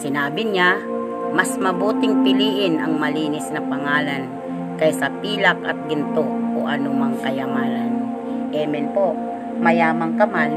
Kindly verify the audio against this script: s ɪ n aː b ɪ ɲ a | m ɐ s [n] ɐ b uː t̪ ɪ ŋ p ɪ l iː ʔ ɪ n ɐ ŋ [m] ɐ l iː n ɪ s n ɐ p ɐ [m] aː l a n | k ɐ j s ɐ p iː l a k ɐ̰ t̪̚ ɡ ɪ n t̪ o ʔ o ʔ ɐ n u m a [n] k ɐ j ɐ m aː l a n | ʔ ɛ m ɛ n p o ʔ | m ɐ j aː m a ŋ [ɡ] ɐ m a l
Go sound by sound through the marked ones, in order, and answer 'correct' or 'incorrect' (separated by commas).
incorrect, correct, incorrect, incorrect, incorrect